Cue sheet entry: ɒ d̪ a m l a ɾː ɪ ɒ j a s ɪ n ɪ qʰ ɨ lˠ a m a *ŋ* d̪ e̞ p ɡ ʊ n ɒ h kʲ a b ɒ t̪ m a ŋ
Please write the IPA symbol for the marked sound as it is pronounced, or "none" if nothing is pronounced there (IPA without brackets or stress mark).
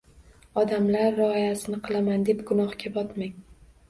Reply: n